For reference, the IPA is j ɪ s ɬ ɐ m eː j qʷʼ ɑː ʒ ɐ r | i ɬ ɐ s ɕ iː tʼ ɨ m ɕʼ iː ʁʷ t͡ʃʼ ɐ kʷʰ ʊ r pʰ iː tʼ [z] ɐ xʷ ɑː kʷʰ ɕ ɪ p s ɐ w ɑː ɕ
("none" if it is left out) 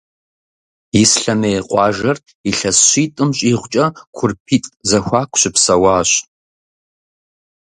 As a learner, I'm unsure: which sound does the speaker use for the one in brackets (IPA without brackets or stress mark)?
z